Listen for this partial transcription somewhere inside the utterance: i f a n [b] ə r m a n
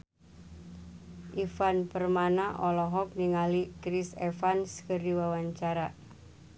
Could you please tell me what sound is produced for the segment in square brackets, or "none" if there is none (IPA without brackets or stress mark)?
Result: p